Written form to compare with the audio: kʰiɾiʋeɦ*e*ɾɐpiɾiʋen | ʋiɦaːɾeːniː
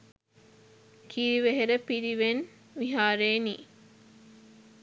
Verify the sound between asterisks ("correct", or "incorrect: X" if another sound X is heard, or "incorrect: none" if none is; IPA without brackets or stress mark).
correct